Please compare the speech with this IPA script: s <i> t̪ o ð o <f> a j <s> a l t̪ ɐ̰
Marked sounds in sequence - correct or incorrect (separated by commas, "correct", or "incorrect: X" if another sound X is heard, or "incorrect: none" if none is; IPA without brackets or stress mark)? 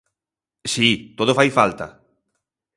correct, correct, incorrect: f